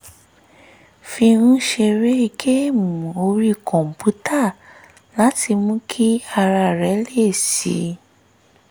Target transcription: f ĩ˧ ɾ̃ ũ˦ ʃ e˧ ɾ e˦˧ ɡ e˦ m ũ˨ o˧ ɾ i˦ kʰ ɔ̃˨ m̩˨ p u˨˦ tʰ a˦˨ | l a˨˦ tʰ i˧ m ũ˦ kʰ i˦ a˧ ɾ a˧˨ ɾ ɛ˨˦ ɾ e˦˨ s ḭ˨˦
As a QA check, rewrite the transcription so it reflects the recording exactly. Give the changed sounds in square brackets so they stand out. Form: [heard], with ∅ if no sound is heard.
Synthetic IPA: f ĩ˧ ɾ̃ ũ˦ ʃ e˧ ɾ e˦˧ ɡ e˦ m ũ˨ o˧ ɾ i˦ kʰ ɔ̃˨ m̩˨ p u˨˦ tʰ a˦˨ | l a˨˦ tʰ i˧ m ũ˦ kʰ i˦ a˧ ɾ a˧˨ ɾ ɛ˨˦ [l] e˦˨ s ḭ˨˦